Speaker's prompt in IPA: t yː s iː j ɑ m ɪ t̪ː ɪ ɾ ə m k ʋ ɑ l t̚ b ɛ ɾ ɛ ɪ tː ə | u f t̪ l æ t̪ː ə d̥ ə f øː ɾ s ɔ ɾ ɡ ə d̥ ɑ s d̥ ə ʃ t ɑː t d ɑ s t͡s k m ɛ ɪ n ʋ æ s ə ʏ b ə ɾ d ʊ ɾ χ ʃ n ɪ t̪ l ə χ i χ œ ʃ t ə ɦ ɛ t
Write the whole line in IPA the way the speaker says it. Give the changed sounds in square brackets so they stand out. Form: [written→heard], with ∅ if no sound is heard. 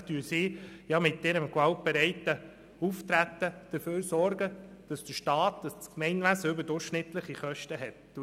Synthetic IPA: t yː s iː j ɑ m ɪ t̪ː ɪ ɾ ə m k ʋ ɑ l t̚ b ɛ ɾ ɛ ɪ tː ə | u f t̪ [l→ɾ] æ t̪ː ə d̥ ə f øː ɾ s ɔ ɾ ɡ ə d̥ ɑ s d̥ ə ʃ t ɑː t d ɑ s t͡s k m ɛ ɪ n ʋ æ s ə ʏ b ə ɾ d ʊ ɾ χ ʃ n ɪ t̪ l ə χ i χ œ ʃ t ə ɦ ɛ t

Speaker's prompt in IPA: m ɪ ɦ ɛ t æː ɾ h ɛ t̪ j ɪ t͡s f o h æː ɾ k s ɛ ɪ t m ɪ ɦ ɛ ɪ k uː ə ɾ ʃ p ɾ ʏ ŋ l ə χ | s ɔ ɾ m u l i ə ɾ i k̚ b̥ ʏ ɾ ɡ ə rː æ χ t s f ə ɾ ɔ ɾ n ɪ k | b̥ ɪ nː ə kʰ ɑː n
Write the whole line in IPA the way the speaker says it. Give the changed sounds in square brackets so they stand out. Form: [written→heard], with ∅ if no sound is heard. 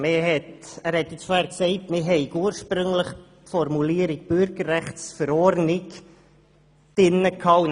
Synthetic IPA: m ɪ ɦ ɛ t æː ɾ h ɛ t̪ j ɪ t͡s f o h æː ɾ k s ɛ ɪ t m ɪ ɦ ɛ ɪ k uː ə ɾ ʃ p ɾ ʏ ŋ l ə χ | [s→f] ɔ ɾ m u l i ə ɾ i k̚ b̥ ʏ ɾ ɡ ə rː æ χ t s f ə ɾ ɔ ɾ n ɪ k | [b̥→d̥] ɪ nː ə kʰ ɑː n

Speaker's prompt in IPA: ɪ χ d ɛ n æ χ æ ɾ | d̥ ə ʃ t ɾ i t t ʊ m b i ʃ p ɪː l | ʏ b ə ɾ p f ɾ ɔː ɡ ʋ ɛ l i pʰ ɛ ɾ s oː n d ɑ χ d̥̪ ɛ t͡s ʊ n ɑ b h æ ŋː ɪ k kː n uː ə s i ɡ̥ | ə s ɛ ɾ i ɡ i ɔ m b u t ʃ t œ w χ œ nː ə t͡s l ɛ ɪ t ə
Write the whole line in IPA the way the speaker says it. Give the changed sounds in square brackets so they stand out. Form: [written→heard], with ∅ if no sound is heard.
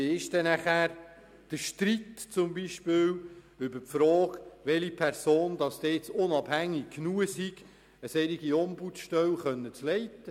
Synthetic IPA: ɪ [χ→ʃ] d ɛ n æ χ æ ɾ | d̥ ə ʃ t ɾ i t [t→t͡s] ʊ m b i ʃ p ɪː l | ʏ b ə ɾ p f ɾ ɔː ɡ ʋ ɛ l i pʰ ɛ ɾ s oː n d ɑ [χ→s] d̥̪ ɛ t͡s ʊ n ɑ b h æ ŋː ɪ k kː n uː ə s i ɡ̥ | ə s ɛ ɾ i ɡ i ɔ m b u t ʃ t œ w χ œ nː ə t͡s l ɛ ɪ t ə

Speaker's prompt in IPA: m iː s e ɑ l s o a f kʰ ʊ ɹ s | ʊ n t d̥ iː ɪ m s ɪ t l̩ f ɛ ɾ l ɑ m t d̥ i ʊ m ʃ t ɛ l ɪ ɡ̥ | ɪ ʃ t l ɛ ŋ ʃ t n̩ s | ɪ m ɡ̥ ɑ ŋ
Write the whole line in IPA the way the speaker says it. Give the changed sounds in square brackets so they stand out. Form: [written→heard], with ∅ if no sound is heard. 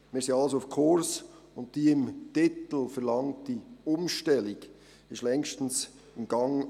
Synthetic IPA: m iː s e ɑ l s o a f kʰ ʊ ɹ s | ʊ n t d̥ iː ɪ m [s→t] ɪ t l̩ f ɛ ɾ l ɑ [m→ŋ] t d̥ i ʊ m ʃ t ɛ l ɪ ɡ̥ | ɪ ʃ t l ɛ ŋ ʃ t n̩ s | ɪ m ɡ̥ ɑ ŋ

